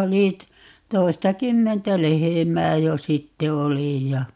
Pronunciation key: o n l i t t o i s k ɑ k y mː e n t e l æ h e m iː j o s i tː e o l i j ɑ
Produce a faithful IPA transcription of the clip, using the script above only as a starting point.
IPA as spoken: o l i t t o i s t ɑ k y mː e n t æ l e h e m æː j o s i tː e o l i j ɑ